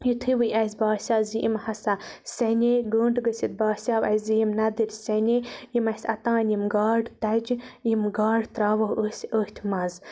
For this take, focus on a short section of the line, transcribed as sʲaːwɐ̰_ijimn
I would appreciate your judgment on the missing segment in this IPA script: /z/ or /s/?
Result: z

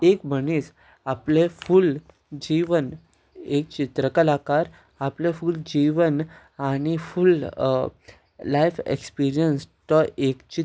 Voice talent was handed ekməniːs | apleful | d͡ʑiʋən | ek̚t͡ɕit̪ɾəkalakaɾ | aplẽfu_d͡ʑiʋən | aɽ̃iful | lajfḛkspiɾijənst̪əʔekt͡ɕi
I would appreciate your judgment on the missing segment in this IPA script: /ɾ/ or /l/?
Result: l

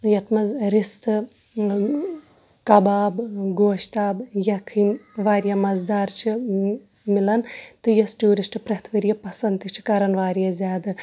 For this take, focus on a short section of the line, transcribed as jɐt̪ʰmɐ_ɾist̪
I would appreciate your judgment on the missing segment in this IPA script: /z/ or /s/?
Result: z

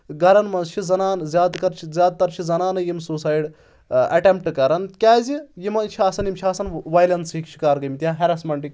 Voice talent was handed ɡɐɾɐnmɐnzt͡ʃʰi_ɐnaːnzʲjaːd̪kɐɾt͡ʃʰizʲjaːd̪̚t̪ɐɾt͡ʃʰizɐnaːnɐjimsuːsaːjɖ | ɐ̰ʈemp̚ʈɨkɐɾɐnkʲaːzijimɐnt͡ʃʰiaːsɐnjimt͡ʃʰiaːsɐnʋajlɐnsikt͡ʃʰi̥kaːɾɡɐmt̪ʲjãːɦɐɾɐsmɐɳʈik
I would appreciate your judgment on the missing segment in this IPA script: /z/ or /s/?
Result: z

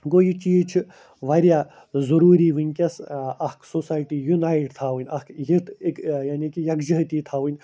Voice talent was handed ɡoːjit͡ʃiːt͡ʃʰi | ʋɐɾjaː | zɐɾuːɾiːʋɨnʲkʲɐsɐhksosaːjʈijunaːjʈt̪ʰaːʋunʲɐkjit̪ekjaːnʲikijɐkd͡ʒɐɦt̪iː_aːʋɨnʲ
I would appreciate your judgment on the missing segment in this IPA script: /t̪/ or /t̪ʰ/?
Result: t̪ʰ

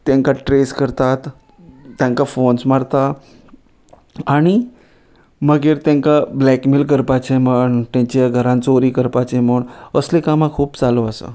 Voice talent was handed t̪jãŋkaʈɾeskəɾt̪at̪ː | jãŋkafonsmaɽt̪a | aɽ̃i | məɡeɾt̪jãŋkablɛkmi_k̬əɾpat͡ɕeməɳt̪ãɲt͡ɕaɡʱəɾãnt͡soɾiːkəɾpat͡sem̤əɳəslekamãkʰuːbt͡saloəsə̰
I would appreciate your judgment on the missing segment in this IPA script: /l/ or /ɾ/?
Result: l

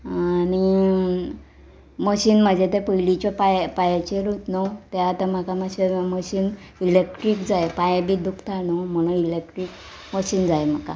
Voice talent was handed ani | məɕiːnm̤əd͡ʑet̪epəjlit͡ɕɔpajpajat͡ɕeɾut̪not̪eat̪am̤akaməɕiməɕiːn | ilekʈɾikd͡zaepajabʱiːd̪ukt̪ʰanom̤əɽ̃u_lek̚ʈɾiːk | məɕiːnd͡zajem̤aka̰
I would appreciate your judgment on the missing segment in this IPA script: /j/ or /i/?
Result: i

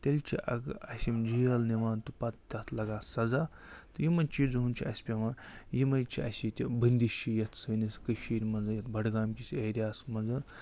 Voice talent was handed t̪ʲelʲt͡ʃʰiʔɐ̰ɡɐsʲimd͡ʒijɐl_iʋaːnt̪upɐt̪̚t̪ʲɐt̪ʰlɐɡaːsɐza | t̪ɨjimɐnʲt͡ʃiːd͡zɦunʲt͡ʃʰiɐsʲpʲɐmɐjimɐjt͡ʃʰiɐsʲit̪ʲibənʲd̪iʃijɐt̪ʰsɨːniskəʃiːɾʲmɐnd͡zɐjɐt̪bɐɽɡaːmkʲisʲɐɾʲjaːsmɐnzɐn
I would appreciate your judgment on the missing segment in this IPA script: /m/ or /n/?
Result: n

